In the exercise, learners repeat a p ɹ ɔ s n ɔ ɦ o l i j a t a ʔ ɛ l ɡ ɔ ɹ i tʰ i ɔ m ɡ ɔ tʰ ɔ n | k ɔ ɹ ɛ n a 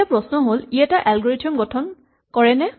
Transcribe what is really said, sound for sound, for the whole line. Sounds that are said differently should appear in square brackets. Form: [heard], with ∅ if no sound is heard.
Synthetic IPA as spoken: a p ɹ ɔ s n ɔ ɦ o l i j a t a ʔ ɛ l ɡ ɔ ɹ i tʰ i ɔ m ɡ ɔ tʰ ɔ n | k ɔ ɹ ɛ n [ɛ]